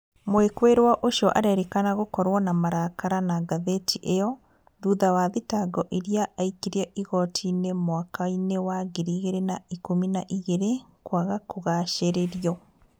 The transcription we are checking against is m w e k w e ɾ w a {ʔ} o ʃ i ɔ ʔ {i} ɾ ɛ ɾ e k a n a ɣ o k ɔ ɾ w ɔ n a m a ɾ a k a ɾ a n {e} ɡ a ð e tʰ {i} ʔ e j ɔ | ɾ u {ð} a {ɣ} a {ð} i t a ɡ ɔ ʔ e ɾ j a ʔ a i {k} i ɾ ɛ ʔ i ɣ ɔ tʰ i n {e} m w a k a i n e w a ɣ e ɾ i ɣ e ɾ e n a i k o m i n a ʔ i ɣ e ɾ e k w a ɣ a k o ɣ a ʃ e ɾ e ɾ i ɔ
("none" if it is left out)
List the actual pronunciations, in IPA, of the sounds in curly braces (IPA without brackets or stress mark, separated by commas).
ʔ, a, a, i, ð, w, ð, k, e